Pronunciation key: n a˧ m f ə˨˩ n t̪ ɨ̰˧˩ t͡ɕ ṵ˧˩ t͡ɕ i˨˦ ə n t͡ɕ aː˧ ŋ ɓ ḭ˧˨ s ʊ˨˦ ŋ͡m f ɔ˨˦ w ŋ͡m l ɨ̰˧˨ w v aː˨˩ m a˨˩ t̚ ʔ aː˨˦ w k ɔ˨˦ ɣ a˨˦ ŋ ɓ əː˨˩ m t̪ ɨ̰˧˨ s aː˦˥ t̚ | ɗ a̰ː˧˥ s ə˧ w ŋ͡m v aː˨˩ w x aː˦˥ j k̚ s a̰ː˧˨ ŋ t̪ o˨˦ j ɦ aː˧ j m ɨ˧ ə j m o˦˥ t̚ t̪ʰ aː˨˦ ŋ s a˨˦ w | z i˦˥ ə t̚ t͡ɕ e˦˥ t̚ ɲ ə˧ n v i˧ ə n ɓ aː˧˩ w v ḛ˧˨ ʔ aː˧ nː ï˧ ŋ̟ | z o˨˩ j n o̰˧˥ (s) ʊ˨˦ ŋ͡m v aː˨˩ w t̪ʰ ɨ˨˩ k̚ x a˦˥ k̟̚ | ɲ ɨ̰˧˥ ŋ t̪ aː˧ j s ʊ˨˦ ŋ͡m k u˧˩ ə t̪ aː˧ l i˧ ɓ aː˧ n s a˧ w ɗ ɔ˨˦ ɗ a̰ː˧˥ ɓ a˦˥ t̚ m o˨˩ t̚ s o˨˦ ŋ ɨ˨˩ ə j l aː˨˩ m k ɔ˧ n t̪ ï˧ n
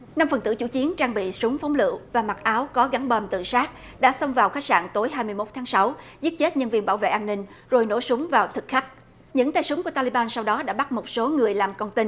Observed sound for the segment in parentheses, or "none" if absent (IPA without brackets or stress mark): s